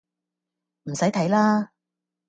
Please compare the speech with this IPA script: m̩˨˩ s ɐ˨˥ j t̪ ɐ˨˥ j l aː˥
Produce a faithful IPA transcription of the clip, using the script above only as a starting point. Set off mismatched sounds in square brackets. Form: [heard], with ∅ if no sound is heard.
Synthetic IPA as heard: m̩˨˩ s ɐ˨˥ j [t̪ʰ] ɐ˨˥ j l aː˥